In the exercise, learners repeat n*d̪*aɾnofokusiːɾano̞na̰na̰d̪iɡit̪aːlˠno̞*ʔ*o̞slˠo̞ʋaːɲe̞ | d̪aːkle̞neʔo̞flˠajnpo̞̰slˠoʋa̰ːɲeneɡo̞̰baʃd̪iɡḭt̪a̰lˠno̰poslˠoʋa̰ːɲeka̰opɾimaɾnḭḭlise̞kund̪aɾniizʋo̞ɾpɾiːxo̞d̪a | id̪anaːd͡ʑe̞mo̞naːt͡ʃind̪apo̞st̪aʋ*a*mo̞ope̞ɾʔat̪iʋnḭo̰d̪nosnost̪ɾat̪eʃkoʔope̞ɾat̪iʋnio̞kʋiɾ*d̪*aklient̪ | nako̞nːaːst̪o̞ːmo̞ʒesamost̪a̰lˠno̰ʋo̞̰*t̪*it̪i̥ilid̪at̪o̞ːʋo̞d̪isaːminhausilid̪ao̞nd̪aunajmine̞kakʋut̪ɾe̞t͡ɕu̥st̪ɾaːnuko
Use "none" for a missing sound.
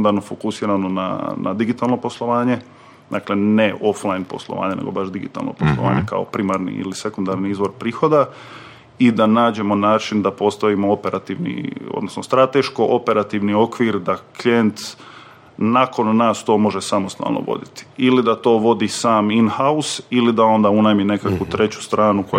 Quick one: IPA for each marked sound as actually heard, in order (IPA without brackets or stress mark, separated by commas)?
d̪, p, i, d̪, d̪